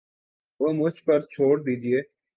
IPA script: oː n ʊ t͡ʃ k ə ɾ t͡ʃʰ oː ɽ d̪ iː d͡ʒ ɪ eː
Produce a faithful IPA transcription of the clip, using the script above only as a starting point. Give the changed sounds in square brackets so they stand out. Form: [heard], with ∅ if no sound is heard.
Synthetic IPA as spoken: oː [m] ʊ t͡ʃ [p] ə ɾ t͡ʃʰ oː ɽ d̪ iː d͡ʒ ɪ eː